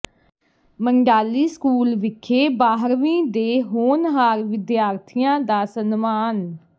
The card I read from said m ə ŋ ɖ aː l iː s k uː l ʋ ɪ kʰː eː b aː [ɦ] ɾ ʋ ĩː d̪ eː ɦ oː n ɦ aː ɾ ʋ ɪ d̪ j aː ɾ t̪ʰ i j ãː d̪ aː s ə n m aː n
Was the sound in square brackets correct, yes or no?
yes